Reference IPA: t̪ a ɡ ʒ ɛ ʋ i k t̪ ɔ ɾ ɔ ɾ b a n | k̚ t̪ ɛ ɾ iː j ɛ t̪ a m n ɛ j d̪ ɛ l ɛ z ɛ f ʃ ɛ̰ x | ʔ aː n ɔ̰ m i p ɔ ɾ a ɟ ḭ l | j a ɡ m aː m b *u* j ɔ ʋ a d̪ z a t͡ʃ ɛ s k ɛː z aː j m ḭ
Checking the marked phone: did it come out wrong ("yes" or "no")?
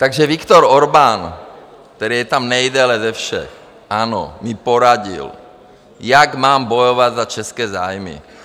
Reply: yes